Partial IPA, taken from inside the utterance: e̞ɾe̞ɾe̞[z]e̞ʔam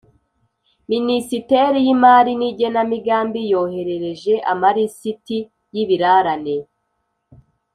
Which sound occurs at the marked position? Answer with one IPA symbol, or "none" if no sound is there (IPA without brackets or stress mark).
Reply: ʒ